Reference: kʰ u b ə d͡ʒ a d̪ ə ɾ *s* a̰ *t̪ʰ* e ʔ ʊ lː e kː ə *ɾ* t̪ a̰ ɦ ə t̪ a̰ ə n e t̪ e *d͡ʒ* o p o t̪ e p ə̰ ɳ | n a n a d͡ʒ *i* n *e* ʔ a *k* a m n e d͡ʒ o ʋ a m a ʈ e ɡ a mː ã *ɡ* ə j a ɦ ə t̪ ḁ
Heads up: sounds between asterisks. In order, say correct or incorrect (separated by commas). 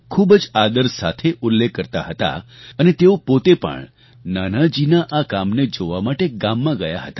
correct, correct, correct, incorrect, correct, incorrect, correct, correct